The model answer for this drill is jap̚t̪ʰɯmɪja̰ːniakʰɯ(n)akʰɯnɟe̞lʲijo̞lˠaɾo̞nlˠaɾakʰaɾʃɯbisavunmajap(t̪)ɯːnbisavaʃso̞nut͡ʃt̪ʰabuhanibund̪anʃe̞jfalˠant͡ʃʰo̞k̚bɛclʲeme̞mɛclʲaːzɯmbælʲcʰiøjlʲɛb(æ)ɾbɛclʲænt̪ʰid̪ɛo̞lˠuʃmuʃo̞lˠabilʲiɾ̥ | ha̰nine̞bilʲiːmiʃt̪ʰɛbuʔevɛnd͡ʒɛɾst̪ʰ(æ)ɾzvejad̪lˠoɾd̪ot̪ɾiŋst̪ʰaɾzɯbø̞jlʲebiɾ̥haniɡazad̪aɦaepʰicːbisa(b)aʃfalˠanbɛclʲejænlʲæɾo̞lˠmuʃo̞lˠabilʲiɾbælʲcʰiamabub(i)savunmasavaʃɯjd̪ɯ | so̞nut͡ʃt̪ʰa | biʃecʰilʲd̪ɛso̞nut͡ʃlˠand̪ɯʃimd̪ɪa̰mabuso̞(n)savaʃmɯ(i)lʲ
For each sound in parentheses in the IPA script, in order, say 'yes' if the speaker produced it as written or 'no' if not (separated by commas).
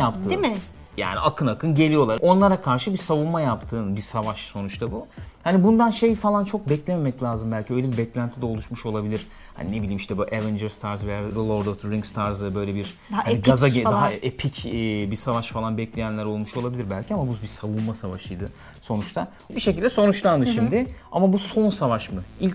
yes, no, no, no, no, yes, yes, yes